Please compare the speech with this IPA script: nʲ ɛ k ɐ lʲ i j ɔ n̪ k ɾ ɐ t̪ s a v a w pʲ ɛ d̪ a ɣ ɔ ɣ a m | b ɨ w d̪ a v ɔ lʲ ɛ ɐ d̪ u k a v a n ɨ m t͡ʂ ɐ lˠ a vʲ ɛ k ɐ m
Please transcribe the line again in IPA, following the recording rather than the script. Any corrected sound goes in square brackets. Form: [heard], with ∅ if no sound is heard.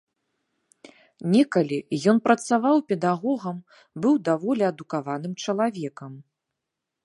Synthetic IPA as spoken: nʲ ɛ k ɐ lʲ i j ɔ n̪ [p] ɾ ɐ t̪ s a v a w pʲ ɛ d̪ a ɣ ɔ ɣ [ɐ] m | b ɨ w d̪ a v ɔ lʲ ɛ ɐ d̪ u k a v a n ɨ m t͡ʂ ɐ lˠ a vʲ ɛ k ɐ m